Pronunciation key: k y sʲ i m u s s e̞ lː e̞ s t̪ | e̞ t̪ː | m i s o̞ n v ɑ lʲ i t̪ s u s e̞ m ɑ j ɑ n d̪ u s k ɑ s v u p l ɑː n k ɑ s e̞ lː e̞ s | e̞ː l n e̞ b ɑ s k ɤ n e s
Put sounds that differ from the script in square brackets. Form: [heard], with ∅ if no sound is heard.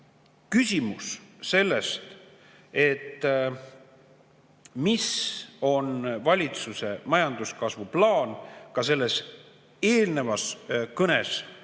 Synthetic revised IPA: k y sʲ i m u s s e̞ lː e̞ s t̪ | e̞ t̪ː | m i s o̞ n v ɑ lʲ i t̪ s u s e̞ m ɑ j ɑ n d̪ u s k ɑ s v u p l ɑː n k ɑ s e̞ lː e̞ s | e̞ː l n e̞ [v] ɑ s k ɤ n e s